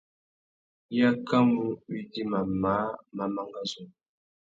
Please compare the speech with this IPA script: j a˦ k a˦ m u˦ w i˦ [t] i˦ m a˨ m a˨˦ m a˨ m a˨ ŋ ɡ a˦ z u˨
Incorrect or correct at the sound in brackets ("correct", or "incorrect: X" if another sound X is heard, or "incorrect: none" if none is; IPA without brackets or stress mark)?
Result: incorrect: d